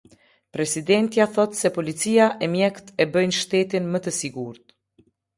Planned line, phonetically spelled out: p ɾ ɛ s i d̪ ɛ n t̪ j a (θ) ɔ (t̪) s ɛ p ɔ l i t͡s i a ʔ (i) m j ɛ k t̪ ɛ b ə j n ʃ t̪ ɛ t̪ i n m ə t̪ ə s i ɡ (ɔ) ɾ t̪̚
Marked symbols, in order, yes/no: yes, yes, no, no

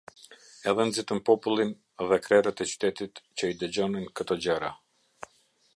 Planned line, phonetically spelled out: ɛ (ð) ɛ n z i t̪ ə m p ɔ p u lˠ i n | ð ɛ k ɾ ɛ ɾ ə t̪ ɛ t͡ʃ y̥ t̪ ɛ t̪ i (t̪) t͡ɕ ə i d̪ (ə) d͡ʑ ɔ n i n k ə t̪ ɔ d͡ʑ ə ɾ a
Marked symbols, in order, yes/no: yes, yes, yes

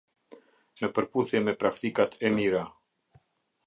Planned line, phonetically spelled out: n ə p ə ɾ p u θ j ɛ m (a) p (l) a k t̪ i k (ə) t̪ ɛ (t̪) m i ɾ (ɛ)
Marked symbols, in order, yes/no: no, no, no, no, no

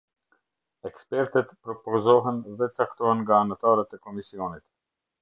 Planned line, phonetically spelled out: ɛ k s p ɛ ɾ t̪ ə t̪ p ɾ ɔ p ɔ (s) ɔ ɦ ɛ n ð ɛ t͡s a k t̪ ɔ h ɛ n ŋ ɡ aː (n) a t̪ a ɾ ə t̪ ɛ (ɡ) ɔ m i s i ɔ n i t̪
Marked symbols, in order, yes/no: no, yes, no

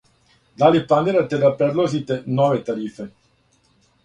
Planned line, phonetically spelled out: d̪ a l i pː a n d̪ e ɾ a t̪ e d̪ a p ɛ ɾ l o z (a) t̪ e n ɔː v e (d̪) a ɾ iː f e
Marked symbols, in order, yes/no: no, no

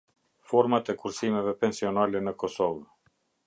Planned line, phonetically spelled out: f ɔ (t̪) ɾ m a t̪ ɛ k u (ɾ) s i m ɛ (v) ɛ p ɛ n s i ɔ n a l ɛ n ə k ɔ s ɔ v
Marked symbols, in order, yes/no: no, yes, yes

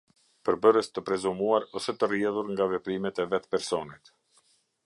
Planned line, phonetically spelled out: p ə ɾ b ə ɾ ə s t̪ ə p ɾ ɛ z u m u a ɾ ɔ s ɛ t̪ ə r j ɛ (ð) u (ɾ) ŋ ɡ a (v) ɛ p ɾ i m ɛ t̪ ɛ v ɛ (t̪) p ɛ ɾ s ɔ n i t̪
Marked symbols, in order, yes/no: yes, yes, yes, yes

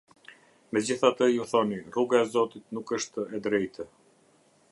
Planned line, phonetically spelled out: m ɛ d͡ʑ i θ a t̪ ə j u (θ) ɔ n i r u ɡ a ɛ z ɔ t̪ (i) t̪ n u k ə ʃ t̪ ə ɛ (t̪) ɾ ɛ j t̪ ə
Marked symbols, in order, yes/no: yes, yes, no

